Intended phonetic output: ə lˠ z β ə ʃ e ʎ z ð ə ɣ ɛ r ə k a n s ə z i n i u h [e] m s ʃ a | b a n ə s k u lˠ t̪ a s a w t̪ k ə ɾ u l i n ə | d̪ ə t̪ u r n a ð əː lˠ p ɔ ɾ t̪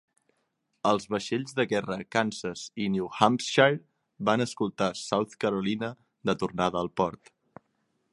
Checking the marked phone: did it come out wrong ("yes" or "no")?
yes